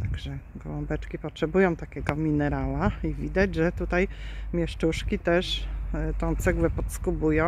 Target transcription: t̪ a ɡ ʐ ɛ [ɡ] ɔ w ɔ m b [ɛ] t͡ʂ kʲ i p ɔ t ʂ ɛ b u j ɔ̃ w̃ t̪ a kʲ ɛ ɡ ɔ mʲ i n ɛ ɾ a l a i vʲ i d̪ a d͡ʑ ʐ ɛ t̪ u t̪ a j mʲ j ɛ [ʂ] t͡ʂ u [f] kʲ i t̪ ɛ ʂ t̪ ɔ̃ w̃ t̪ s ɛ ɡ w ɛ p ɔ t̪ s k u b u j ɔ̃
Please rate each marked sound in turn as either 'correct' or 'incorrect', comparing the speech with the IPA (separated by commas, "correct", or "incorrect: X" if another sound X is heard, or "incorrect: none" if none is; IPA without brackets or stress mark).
correct, correct, correct, incorrect: ʂ